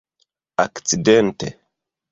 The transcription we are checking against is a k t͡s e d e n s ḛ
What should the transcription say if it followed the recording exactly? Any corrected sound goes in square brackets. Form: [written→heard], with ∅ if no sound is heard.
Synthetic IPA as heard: a k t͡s [e→i] d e n [s→t] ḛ